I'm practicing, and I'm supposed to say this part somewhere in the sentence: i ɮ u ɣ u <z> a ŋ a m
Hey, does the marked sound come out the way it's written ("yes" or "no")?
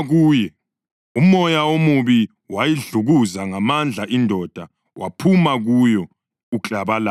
yes